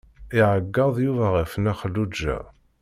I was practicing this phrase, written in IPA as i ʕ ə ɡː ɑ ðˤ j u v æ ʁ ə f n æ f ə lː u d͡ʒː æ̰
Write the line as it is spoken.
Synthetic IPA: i ʕ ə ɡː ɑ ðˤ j u v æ ʁ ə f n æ χ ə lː u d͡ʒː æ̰